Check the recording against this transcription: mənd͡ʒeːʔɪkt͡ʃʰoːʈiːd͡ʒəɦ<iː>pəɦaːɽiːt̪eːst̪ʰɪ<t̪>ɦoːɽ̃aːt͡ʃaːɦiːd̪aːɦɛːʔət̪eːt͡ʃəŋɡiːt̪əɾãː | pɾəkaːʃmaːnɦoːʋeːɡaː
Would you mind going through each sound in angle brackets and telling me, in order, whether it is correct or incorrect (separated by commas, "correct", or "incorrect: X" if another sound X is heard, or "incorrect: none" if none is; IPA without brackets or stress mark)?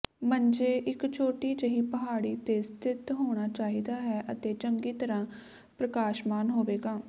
correct, correct